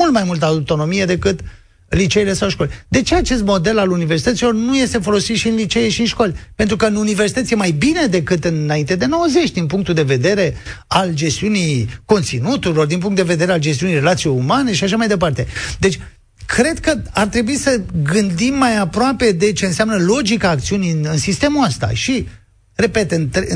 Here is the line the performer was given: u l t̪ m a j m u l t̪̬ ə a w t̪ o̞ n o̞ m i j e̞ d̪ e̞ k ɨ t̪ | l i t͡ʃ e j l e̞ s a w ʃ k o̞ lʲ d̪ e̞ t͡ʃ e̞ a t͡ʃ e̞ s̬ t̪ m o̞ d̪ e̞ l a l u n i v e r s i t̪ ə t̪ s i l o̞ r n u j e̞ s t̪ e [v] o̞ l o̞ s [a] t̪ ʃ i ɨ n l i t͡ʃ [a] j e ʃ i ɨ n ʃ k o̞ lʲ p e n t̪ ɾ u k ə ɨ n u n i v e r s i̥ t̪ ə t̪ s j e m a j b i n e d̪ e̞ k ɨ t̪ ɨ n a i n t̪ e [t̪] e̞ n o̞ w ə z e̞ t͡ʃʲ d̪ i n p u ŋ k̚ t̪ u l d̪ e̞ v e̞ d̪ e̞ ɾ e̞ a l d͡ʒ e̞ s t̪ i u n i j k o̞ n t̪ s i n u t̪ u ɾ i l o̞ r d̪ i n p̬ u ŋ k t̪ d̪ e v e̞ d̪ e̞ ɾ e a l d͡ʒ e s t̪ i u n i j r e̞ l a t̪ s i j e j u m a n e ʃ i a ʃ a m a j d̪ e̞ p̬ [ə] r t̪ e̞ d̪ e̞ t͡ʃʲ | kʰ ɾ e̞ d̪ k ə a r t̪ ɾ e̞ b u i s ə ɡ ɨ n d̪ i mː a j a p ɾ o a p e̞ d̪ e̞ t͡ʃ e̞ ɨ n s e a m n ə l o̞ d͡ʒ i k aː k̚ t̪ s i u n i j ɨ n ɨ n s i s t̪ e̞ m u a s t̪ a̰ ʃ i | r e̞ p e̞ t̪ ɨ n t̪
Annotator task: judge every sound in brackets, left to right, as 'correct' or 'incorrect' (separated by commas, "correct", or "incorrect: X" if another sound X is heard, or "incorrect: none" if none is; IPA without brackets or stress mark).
incorrect: f, incorrect: i, incorrect: e, incorrect: d̪, incorrect: a